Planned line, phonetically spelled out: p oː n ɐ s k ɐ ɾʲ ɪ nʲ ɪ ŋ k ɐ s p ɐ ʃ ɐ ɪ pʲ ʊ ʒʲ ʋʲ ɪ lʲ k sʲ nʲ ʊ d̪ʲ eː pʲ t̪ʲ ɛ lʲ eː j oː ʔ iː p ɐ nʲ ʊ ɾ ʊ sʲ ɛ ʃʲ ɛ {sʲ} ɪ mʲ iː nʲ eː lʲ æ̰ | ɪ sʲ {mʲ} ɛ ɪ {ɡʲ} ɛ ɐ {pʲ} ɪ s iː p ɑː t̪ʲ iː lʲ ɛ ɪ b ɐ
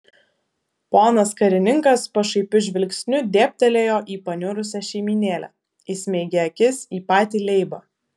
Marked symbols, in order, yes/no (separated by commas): no, yes, yes, no